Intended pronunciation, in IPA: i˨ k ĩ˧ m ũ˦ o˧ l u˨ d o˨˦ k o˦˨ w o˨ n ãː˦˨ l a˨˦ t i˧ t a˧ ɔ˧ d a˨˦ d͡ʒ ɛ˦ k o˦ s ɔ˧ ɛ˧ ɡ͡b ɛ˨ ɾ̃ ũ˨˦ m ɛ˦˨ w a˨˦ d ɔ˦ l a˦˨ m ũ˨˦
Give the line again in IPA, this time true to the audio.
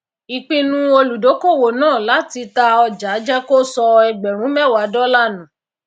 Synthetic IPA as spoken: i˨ k͡p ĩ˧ n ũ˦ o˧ l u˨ d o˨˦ k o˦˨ w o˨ n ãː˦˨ l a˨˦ t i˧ t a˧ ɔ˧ d͡ʒ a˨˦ d͡ʒ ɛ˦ k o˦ s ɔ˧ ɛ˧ ɡ͡b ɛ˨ ɾ̃ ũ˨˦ m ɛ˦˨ w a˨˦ d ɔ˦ l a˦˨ n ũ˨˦